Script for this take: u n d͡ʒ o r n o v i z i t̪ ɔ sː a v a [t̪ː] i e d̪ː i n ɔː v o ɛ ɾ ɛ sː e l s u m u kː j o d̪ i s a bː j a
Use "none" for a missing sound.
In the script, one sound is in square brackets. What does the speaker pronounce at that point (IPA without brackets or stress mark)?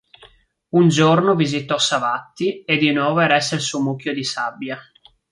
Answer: t̪ː